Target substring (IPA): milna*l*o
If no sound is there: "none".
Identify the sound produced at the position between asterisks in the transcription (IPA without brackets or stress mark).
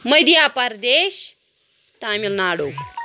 ɽ